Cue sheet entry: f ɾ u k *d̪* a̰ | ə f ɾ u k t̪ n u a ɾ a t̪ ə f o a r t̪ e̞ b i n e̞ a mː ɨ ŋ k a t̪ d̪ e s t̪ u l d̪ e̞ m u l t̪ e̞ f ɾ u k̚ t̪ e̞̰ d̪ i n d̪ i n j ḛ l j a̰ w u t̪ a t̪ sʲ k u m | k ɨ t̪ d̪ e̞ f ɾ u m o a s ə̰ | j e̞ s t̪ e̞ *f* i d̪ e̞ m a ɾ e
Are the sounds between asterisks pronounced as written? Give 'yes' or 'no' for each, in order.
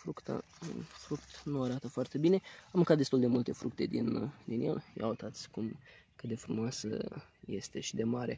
no, no

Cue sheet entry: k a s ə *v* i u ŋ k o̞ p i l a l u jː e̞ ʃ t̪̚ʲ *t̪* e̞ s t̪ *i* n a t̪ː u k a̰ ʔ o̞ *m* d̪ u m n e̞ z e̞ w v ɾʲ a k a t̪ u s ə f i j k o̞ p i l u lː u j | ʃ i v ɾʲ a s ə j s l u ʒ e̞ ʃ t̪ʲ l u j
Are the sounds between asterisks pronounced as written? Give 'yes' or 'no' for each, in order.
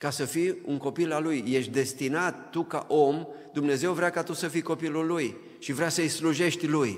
no, no, yes, yes

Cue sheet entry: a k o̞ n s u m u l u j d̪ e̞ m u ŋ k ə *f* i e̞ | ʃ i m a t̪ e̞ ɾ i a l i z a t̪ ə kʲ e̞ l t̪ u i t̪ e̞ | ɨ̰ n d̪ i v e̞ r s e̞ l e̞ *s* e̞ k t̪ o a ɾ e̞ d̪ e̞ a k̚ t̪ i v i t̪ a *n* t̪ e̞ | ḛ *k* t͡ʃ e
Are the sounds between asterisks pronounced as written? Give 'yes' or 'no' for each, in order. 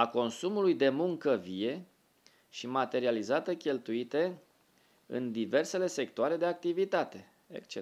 no, yes, no, yes

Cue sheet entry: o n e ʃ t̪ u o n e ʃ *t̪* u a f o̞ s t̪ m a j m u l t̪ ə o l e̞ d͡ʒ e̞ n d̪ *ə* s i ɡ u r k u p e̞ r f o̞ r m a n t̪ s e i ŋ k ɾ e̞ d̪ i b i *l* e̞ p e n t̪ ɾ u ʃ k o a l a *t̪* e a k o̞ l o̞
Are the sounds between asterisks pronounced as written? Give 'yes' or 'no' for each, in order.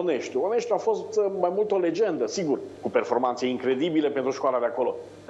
yes, yes, yes, no

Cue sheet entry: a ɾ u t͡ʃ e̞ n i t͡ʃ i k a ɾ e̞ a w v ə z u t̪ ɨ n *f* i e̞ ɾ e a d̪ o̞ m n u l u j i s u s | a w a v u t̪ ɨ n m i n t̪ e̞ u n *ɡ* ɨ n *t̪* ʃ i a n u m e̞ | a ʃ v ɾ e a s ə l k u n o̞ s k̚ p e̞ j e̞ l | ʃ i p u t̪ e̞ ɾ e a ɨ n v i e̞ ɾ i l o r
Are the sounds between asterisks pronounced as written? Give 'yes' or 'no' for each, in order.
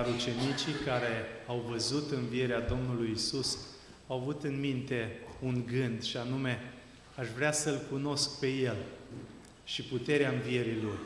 no, yes, no

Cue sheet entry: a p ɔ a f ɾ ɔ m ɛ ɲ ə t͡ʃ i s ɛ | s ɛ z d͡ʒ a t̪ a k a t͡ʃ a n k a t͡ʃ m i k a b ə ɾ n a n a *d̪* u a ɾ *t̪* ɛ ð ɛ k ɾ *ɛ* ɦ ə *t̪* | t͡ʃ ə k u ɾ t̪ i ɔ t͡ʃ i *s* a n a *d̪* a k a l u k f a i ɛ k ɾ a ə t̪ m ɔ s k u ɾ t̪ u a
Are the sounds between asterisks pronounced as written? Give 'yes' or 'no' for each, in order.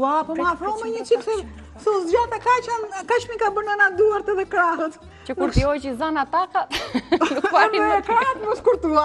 yes, yes, no, yes, no, no

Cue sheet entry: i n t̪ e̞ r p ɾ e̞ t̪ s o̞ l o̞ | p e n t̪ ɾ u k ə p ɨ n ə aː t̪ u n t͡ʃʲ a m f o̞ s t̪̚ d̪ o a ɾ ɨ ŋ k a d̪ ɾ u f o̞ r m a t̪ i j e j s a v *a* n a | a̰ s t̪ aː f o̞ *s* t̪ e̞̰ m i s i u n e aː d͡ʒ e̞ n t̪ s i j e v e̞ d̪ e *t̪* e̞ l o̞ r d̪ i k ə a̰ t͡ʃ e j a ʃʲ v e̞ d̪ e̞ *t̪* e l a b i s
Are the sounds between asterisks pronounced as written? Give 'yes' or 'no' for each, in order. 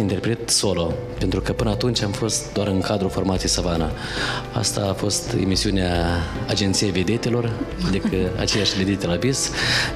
yes, yes, yes, yes

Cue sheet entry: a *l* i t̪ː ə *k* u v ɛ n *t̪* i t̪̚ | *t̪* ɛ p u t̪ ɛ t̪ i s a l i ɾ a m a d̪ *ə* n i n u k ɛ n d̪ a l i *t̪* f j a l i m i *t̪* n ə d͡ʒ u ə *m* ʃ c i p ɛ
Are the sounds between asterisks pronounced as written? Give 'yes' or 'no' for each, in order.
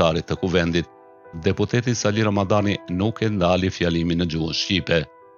no, yes, no, no, no, no, no, no

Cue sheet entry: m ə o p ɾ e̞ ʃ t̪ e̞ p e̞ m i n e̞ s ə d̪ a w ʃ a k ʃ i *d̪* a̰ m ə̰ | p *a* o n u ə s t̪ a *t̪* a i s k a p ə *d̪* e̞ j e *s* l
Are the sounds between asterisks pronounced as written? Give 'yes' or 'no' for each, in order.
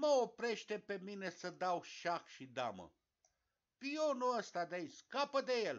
yes, no, no, yes, no

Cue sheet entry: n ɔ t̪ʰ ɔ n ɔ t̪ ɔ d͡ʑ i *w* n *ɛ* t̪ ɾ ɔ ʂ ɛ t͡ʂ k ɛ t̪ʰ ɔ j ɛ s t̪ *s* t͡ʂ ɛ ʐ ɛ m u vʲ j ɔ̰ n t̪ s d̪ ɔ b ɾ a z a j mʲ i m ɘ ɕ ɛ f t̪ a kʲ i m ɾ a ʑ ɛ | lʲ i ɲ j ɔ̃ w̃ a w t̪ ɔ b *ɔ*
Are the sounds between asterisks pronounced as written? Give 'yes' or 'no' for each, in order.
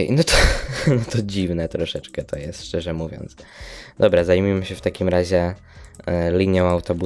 no, yes, no, no

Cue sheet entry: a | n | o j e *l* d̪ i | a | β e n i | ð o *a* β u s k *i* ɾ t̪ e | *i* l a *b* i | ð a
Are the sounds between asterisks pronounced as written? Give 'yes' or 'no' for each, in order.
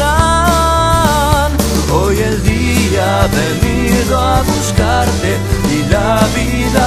yes, yes, no, yes, no

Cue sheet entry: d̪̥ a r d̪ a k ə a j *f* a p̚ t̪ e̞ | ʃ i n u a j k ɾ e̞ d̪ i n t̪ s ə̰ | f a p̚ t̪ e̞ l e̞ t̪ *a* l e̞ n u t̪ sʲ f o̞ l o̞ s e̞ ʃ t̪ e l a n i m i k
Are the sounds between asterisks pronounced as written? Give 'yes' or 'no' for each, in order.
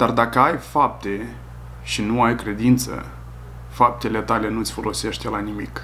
yes, yes

